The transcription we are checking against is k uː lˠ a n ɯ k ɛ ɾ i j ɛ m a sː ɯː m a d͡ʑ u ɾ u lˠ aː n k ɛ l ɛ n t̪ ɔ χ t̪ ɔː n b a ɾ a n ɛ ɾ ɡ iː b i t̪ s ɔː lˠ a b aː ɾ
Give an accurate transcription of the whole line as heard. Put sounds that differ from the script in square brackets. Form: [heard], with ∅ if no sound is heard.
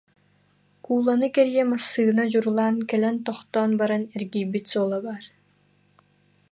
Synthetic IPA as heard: k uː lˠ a n ɯ k ɛ ɾ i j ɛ m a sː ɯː [n] a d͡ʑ u ɾ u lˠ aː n k ɛ l ɛ n t̪ ɔ χ t̪ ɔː n b a ɾ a n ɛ ɾ ɡ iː b i t̪ s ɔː lˠ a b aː ɾ